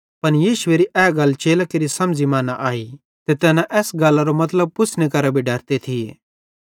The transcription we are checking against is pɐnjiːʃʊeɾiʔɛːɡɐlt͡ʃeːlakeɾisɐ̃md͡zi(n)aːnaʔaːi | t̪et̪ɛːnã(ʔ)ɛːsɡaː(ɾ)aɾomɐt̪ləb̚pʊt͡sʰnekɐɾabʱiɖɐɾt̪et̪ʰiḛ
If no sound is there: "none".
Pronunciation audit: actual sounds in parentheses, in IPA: m, ʔ, l

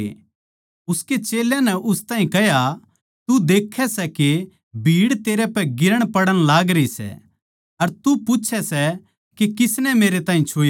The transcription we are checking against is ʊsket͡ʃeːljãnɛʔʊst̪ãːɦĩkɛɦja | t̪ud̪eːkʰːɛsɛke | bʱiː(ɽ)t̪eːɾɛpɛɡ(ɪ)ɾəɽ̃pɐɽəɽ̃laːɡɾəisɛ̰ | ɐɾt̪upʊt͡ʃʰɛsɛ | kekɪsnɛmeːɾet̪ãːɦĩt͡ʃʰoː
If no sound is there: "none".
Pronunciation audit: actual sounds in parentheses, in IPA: ɽ, ɪ

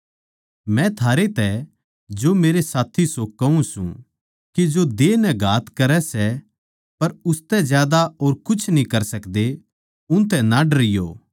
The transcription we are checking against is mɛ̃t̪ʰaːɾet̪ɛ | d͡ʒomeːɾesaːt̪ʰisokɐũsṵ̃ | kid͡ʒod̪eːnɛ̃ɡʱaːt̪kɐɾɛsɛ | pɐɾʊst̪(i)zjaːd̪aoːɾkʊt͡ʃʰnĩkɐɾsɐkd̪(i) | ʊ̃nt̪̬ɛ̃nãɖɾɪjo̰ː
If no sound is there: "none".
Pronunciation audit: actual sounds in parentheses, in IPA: ɛ, e

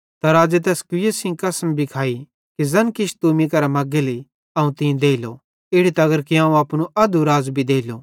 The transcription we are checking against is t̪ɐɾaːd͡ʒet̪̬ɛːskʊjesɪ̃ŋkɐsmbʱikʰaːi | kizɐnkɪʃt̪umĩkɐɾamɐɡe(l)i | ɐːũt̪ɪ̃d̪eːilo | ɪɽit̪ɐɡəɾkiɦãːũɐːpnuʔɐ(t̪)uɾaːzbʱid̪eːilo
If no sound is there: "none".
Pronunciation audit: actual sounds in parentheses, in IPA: l, d̪

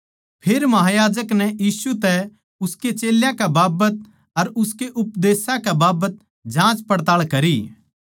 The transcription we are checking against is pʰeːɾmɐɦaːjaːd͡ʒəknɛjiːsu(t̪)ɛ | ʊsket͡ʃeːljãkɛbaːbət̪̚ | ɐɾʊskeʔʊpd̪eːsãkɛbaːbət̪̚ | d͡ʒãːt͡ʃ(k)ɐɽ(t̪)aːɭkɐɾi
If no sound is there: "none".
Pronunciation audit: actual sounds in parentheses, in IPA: t̪, p, t̪

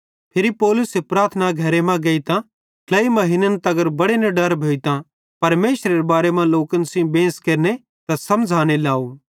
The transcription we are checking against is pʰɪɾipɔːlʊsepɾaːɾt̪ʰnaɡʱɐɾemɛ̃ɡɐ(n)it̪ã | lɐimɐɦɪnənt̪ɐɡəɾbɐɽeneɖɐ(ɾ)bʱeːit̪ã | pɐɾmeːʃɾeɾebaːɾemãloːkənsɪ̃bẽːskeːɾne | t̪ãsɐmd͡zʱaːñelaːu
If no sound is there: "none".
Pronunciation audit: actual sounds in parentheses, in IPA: none, ɾ

